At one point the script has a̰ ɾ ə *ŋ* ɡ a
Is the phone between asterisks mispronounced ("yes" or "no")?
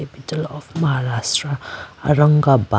no